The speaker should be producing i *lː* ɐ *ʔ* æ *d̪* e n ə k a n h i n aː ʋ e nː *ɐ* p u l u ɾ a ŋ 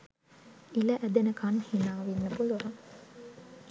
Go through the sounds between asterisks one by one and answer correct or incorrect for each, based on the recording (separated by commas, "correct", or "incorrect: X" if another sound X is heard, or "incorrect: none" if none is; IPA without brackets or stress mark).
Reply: incorrect: l, correct, correct, incorrect: ə